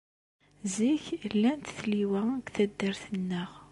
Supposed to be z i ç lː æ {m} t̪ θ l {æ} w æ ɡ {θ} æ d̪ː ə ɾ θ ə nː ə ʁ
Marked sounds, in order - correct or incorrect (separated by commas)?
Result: incorrect, incorrect, correct